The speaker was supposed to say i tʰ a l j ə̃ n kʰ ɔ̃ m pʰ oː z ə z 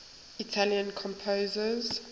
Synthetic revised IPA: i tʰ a l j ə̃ n kʰ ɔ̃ m pʰ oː z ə z

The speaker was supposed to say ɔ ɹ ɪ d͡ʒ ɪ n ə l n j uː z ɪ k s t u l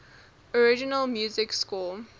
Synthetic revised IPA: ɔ ɹ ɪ d͡ʒ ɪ n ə l m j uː z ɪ k s k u l

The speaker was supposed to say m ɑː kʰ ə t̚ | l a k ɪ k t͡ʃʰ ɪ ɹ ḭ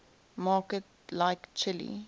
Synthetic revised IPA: m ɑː k ə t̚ | l a ɪ k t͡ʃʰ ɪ l ḭ

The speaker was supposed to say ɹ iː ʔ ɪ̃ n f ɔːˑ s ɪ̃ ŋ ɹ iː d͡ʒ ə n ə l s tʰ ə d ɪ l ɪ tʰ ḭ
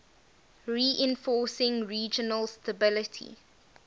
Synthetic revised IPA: ɹ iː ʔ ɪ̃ n f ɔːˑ s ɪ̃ ŋ ɹ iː d͡ʒ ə n ə l s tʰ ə b ɪ l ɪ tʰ ḭ

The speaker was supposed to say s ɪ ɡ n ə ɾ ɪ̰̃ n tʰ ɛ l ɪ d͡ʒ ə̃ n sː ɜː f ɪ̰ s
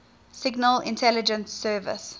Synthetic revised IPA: s ɪ ɡ n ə l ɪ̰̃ n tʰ ɛ l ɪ d͡ʒ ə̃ n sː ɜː v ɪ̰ s

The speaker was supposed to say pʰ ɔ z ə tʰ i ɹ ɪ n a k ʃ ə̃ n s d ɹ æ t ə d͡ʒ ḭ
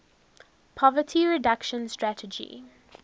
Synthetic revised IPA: pʰ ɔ v ə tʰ i ɹ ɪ d a k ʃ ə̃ n s t ɹ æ t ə d͡ʒ ḭ

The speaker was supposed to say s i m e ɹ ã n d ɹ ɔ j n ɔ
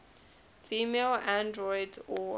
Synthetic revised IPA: f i m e l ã n d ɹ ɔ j d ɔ

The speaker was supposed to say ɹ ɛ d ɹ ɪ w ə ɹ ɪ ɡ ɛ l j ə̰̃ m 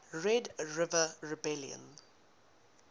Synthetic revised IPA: ɹ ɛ d ɹ ɪ v ə ɹ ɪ b ɛ l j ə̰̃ n

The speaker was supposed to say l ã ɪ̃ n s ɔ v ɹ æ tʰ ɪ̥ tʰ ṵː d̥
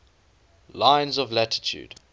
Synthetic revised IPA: l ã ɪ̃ n z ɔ v l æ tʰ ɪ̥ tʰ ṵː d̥

